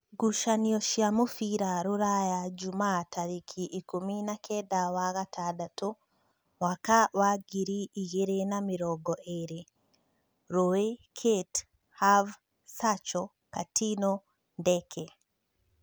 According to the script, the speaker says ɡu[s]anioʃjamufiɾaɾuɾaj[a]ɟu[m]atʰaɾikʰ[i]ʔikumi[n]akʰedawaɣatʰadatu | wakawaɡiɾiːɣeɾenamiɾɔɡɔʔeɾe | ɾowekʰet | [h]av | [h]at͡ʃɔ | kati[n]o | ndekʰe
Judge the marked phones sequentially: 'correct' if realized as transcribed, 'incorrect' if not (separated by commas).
incorrect, correct, correct, correct, correct, correct, incorrect, correct